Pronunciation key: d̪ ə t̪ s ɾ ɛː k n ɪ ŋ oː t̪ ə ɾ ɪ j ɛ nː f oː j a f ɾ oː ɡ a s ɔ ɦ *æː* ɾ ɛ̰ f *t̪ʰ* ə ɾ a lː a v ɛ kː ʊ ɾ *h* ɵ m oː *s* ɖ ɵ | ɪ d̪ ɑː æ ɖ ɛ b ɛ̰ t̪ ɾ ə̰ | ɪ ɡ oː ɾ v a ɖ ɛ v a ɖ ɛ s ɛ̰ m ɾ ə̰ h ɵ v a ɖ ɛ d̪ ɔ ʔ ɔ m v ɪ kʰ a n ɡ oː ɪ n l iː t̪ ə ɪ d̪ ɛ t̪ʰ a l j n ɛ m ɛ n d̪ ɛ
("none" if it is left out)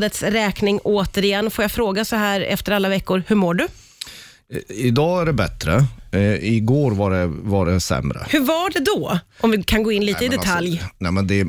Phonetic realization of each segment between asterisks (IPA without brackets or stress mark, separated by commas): æː, t̪, h, none